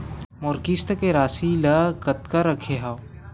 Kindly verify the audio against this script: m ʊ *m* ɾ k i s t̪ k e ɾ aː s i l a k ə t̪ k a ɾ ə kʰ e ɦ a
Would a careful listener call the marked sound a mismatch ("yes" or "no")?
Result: yes